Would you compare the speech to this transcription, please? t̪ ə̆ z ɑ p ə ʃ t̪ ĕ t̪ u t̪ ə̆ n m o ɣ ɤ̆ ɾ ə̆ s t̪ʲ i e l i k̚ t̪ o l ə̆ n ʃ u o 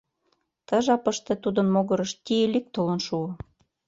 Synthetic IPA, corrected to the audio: t̪ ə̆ ʒ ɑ p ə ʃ t̪ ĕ t̪ u d̪ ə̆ n m o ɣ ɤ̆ ɾ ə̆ ʃ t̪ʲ i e l i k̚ t̪ o l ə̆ n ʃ u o